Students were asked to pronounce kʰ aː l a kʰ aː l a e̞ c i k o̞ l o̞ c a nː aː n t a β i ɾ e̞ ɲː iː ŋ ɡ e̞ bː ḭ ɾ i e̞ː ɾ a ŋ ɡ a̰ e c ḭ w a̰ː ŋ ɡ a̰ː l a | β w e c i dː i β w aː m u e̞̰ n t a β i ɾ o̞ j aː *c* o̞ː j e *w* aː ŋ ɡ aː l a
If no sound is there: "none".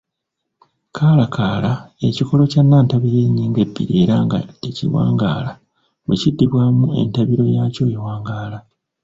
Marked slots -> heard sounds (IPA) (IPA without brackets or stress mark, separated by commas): c, w